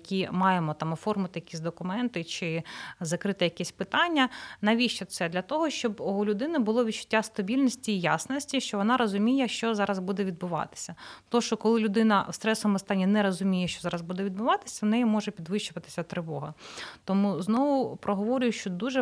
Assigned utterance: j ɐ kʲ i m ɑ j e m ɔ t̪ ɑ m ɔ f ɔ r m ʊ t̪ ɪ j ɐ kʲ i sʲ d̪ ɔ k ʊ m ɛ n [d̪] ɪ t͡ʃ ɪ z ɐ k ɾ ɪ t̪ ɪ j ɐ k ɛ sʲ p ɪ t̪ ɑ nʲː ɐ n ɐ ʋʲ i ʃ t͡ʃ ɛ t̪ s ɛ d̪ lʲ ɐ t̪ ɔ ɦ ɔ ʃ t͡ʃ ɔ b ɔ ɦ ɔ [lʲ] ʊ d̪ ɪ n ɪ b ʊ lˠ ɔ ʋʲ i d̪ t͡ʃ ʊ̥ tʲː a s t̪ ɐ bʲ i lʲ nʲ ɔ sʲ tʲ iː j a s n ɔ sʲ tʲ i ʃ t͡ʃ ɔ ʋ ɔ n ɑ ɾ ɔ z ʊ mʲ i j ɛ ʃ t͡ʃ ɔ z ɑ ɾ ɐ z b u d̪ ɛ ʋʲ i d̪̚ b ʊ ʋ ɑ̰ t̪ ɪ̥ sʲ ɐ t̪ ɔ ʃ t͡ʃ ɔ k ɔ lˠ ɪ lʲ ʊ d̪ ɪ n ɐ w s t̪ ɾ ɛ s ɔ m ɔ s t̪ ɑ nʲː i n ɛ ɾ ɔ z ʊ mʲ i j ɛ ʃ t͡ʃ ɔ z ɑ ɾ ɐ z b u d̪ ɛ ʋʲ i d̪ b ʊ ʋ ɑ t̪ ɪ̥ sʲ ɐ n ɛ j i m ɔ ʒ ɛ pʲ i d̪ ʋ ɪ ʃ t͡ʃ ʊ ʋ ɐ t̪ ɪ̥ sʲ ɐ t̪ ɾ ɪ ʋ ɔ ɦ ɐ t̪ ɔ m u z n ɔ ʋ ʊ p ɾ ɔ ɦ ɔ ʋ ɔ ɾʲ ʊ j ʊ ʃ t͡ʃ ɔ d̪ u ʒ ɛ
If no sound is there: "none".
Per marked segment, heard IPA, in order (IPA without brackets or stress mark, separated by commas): t̪, lʲ